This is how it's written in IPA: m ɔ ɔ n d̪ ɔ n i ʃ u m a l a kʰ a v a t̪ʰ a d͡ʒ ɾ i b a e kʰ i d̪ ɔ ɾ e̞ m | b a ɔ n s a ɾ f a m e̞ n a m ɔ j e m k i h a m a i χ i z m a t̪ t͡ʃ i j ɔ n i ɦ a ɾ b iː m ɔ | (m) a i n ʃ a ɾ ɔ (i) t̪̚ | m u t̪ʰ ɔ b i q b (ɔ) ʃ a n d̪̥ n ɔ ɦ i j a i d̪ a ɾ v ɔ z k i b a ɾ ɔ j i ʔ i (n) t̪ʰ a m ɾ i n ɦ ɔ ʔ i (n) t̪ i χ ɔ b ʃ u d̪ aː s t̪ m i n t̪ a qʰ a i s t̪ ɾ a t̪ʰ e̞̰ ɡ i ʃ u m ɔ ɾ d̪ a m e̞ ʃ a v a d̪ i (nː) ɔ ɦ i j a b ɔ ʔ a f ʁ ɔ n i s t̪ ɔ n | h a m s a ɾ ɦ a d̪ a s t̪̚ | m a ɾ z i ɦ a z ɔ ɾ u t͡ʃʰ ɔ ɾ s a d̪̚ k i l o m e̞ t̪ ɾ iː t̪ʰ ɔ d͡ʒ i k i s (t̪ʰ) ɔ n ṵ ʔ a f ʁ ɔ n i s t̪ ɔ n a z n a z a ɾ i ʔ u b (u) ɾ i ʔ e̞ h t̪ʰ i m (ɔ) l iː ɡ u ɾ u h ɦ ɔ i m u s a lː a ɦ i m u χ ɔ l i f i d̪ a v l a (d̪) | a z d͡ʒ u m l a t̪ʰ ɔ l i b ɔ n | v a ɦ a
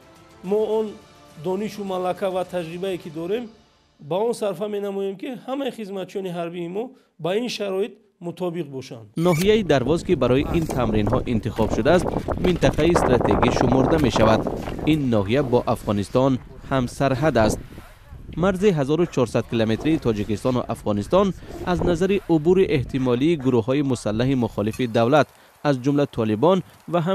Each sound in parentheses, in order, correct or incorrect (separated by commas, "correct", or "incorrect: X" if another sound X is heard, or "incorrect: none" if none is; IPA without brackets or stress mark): incorrect: b, correct, correct, correct, correct, correct, incorrect: t̪, correct, correct, incorrect: t̪